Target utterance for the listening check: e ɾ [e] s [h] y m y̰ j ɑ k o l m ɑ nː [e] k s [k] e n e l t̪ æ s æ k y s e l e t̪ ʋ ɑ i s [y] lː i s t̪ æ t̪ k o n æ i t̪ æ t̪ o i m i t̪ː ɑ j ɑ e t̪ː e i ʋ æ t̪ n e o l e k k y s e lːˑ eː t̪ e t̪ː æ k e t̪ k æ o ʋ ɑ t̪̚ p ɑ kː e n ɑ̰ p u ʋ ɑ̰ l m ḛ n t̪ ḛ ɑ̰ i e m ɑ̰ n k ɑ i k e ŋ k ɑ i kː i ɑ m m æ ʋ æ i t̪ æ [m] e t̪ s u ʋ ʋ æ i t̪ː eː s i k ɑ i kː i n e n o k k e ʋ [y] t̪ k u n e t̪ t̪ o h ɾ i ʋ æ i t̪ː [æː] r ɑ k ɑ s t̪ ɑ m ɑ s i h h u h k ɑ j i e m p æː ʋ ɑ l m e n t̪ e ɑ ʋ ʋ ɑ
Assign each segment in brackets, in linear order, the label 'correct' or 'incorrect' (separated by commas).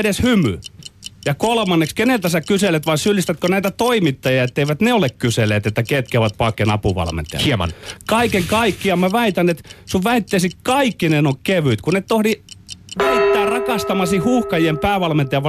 correct, correct, correct, correct, correct, incorrect, correct, correct